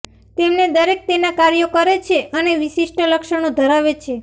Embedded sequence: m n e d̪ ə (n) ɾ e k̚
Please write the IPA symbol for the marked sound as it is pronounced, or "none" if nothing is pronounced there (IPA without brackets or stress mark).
none